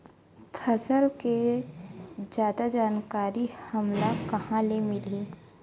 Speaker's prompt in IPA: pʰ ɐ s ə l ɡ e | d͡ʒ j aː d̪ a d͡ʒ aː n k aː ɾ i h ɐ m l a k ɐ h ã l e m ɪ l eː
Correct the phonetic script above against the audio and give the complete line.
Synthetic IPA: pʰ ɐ s ə l k e | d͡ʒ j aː d̪ a d͡ʒ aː n k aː ɾ i h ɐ m l a k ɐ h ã l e m ɪ l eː